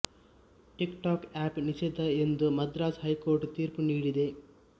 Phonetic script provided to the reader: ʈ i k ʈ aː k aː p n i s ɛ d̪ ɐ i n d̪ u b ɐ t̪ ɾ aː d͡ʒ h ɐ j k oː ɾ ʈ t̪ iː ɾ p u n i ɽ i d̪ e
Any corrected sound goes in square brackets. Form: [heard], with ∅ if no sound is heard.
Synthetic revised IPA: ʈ i k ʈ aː k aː p n i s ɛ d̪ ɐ [e] n d̪ u [m] ɐ [d̪] ɾ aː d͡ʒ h ɐ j k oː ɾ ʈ t̪ iː ɾ p u n [iː] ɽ i d̪ e